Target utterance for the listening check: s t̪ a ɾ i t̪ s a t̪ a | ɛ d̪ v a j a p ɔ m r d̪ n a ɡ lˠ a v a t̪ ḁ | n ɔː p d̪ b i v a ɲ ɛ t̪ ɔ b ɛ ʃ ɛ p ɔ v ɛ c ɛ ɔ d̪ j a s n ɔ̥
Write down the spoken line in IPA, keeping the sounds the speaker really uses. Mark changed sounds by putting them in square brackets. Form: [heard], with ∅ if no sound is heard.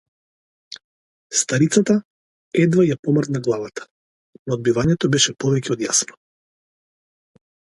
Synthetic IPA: s t̪ a ɾ i t̪ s a t̪ a | ɛ d̪ v a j a p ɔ m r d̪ n a ɡ lˠ a v a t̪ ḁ | n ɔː [∅] d̪ b i v a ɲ ɛ t̪ ɔ b ɛ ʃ ɛ p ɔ v ɛ c ɛ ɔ d̪ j a s n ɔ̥